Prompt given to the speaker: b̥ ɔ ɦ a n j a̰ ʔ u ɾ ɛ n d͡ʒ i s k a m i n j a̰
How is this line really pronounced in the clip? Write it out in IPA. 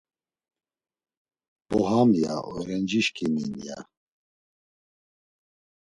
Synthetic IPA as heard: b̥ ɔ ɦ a m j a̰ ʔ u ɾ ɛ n d͡ʒ i ʃ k i m i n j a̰